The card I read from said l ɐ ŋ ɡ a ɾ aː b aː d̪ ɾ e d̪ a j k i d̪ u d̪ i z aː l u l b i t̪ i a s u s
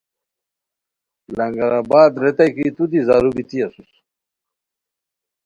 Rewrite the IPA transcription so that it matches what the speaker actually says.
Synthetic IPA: l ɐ ŋ ɡ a ɾ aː b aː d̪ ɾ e t̪ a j k i t̪ u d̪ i z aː ɾ u b i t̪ i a s u s